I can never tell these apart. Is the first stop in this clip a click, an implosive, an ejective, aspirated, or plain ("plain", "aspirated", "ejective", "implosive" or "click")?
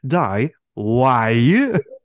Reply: plain